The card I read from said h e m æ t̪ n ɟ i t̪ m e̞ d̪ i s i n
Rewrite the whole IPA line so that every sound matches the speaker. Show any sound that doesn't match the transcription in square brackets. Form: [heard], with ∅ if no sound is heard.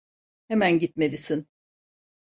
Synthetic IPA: h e m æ [∅] n ɟ i t̪ m e̞ d̪ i s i n